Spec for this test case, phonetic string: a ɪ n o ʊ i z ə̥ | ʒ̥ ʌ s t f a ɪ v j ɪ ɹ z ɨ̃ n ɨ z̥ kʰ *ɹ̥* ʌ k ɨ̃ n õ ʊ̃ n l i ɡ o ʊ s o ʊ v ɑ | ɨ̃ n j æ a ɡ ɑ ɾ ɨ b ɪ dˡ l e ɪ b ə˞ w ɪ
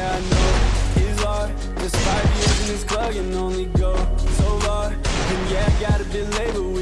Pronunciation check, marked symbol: incorrect: l̥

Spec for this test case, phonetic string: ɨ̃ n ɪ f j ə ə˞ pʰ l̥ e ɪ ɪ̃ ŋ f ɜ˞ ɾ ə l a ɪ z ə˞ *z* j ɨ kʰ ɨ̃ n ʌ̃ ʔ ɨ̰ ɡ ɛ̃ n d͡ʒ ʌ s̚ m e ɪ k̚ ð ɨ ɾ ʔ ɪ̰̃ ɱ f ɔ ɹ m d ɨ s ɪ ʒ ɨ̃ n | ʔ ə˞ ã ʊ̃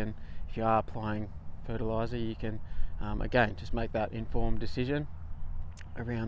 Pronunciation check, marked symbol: incorrect: none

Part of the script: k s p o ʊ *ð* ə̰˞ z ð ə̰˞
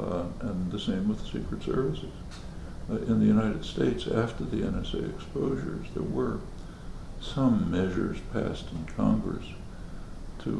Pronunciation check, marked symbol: incorrect: ʒ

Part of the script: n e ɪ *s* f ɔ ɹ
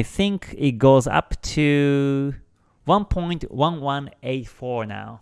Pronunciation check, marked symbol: incorrect: t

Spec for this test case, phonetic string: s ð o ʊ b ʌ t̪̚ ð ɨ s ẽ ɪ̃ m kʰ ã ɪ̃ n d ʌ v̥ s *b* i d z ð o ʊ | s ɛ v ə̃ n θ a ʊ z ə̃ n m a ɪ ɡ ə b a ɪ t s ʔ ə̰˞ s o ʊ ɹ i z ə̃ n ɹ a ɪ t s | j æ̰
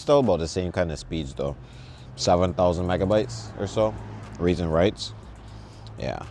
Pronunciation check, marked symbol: incorrect: p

